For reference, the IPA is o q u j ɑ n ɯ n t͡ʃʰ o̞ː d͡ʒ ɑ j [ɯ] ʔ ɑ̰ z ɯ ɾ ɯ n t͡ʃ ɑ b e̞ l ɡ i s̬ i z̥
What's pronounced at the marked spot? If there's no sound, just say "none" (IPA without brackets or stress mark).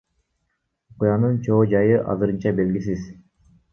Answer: ɯ